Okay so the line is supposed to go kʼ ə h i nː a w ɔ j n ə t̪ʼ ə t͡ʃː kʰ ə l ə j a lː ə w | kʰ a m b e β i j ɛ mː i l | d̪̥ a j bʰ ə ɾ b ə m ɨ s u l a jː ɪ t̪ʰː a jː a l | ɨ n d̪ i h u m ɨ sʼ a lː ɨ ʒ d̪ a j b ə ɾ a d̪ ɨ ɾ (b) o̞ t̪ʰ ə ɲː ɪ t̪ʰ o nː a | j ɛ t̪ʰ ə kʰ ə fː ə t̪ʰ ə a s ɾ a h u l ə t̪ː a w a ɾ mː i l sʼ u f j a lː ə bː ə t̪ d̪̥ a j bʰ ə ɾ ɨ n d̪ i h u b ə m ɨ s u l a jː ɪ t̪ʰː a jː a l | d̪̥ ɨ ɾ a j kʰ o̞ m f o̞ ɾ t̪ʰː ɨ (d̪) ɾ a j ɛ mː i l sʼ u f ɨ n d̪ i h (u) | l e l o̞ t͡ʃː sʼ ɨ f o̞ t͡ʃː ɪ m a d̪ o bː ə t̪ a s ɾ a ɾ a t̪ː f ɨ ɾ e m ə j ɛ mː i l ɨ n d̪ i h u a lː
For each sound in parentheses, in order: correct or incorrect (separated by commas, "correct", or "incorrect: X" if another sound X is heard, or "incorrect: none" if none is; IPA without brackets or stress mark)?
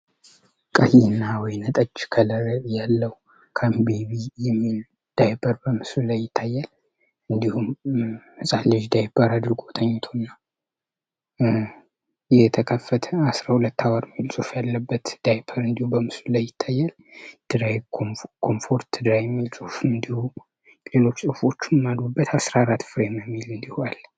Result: incorrect: ɡ, correct, correct